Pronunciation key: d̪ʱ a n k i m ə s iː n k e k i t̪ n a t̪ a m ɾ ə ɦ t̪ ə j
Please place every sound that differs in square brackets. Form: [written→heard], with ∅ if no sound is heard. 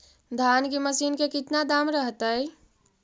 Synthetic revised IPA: d̪ʱ a n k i m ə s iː n k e k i t̪ n a [t̪→d̪] a m ɾ ə ɦ t̪ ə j